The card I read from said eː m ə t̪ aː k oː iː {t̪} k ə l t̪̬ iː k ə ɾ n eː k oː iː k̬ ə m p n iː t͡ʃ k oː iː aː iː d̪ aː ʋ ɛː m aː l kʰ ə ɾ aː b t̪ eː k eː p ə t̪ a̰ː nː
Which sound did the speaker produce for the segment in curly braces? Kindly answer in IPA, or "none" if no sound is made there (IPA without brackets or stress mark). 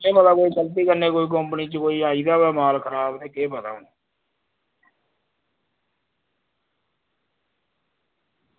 none